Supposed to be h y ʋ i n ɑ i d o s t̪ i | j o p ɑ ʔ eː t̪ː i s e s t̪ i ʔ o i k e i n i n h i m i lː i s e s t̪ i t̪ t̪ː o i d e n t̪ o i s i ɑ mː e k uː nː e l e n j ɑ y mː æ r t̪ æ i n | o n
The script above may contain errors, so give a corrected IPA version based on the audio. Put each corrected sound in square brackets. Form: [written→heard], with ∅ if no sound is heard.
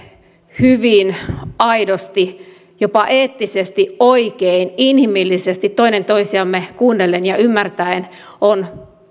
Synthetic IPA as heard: h y ʋ i n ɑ i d o s t̪ i | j o p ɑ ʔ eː t̪ː i s e s t̪ i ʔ o i k e i n i n h i m i lː i s e s t̪ i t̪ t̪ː o i [d→n] e n t̪ o i s i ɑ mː e k uː nː e l e n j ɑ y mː æ r t̪ æ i n | o n

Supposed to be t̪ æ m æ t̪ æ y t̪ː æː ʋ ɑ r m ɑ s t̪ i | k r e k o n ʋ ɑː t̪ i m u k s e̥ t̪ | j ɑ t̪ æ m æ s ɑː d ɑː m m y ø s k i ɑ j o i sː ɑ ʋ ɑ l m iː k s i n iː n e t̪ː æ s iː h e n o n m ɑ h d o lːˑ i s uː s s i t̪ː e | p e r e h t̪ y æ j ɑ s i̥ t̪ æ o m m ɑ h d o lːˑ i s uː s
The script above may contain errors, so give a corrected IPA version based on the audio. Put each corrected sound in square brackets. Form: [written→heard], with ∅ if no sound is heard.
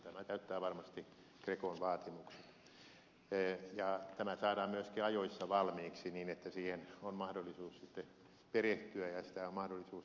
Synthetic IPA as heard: t̪ æ m æ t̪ æ y t̪ː æː ʋ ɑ r m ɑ s t̪ i | k r e k o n ʋ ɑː t̪ i m u k s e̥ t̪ | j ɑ t̪ æ m æ s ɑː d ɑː m m y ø s k i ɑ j o i sː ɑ ʋ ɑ l m iː k s i n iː n e t̪ː æ s iː h e n o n m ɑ h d o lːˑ i s uː s s i t̪ː e | p e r e h t̪ y æ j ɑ s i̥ t̪ æ o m m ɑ h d o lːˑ i s uː s

